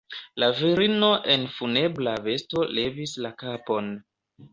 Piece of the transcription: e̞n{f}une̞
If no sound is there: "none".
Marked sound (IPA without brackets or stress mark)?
f